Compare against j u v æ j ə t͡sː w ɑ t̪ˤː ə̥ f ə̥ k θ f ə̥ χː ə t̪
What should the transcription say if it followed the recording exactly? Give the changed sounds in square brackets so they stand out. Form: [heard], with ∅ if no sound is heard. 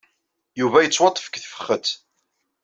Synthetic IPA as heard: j u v æ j ə t͡sː w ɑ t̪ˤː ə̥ f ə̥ k θ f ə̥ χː ə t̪